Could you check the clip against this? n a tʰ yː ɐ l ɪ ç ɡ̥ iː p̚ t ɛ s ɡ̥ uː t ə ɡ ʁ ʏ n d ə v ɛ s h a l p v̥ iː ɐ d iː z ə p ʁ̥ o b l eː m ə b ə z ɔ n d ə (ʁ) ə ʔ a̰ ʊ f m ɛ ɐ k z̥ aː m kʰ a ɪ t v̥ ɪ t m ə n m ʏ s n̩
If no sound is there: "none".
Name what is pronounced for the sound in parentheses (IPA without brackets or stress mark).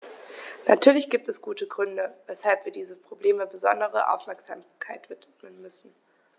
ʁ